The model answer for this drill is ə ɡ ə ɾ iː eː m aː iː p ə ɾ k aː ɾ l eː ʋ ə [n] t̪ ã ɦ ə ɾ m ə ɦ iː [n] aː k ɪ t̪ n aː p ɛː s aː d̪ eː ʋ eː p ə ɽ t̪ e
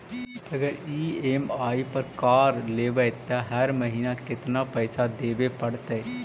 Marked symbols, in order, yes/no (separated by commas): no, yes